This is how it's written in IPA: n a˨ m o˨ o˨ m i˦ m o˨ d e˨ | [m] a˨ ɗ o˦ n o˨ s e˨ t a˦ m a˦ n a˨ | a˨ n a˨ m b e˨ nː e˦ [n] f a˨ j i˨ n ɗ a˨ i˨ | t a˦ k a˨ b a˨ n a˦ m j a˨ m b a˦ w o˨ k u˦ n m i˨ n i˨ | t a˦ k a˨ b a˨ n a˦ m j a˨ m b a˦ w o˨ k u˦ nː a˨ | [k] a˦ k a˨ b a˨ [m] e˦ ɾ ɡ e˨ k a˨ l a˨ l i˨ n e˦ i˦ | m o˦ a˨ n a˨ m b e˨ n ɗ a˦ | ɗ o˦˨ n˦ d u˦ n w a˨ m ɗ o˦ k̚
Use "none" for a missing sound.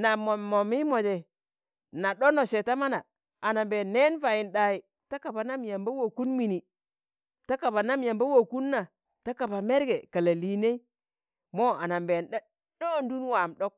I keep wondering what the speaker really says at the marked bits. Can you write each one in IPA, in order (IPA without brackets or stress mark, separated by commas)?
n, n, t, m